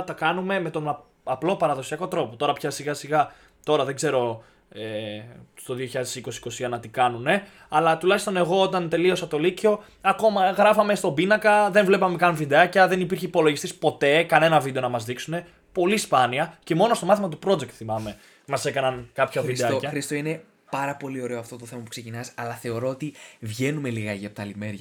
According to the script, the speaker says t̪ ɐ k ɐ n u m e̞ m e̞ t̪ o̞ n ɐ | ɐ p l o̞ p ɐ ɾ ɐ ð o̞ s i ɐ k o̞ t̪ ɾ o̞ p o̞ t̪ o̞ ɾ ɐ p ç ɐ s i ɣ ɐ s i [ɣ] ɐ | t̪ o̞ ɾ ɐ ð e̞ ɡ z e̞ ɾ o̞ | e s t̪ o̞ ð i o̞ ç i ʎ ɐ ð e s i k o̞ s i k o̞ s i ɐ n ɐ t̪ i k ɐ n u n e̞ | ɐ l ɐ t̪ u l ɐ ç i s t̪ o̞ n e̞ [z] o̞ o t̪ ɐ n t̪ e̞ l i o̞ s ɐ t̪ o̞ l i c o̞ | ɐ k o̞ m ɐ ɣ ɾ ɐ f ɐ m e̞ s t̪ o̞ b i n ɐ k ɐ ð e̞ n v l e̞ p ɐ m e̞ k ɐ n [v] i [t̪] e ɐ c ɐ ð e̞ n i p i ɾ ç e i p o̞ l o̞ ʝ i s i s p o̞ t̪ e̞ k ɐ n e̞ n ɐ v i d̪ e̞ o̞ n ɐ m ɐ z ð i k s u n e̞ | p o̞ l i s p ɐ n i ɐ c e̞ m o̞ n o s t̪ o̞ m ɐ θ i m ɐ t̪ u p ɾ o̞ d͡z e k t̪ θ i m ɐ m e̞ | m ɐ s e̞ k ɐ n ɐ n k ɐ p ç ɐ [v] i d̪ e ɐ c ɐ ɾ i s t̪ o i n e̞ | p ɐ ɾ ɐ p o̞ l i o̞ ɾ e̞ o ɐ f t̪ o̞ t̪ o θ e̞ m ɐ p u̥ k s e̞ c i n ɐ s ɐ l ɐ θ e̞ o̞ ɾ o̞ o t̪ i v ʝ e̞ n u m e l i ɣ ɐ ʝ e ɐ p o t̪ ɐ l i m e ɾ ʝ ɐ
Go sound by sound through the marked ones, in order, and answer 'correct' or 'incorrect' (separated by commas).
correct, incorrect, correct, incorrect, correct